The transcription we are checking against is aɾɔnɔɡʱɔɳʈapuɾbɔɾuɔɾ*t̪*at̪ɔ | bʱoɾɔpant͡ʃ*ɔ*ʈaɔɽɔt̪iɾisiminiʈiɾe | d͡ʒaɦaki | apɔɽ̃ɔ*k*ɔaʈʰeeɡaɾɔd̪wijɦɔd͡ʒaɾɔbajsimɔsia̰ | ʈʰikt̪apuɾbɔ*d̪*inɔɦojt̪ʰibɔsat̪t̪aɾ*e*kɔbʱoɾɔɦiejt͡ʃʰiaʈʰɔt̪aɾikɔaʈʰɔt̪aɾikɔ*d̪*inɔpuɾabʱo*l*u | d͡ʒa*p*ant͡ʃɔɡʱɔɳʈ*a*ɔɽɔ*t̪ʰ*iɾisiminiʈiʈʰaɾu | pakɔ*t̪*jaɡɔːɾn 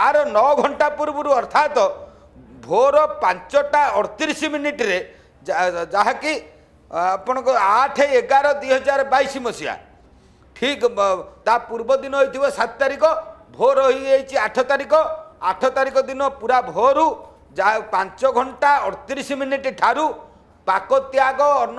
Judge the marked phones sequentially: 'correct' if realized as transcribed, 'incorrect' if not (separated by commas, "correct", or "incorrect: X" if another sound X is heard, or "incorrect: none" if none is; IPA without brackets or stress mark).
incorrect: t̪ʰ, correct, correct, correct, incorrect: i, correct, incorrect: ɾ, correct, correct, incorrect: t̪, correct